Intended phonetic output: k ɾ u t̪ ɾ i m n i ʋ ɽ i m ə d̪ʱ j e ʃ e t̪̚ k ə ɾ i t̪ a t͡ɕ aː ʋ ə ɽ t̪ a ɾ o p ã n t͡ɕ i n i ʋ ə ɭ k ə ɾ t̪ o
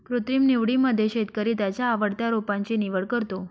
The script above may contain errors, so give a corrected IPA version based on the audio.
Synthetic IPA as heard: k ɾ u t̪ ɾ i m n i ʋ ɽ i m ə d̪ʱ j e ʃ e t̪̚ k ə ɾ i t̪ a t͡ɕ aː ʋ ə ɽ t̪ a ɾ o p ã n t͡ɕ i n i ʋ ə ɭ k ə ɾ t̪ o